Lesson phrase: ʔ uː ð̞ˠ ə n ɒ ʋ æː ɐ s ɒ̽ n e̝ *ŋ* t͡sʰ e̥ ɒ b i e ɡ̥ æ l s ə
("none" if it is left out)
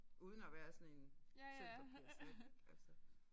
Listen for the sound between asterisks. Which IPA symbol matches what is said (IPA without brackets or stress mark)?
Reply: n